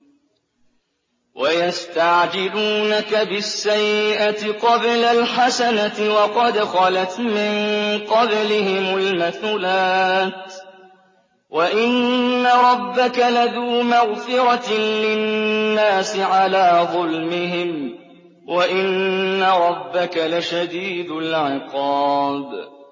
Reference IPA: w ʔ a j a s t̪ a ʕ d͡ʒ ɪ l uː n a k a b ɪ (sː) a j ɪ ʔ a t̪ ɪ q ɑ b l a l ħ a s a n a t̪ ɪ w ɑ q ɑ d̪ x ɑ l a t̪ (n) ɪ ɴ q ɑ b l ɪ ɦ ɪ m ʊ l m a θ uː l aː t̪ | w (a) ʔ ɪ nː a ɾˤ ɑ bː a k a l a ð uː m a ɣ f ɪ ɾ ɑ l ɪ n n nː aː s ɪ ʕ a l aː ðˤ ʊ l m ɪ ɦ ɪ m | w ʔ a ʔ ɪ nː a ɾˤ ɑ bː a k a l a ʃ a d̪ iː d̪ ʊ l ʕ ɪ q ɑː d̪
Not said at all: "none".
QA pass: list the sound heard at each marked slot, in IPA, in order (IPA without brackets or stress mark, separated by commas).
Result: sː, m, a